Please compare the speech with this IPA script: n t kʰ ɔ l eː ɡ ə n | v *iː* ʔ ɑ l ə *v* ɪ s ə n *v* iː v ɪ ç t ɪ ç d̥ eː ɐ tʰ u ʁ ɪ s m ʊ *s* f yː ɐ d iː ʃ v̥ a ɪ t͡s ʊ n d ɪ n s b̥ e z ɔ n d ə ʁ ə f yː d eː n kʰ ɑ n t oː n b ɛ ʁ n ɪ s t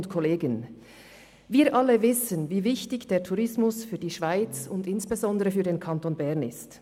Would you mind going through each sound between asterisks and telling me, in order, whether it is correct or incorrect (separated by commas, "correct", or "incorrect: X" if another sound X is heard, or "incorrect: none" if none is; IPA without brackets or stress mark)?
correct, correct, correct, correct